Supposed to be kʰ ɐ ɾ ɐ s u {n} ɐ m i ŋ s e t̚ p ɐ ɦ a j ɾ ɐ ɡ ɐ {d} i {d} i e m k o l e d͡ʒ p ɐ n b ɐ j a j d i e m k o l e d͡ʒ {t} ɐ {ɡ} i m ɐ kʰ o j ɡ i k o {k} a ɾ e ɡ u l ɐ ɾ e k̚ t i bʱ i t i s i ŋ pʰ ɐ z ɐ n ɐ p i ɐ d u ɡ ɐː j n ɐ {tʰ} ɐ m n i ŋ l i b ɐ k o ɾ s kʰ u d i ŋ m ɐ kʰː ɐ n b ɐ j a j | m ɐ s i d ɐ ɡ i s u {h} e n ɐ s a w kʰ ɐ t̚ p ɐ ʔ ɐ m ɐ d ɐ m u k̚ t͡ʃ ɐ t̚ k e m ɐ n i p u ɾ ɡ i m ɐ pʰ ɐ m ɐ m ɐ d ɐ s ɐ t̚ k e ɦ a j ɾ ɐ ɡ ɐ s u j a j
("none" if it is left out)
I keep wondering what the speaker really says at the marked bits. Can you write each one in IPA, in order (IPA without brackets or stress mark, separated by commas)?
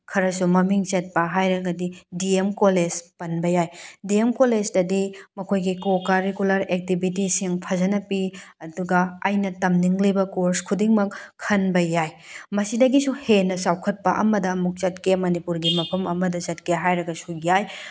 m, d, d, d, d, k, t, h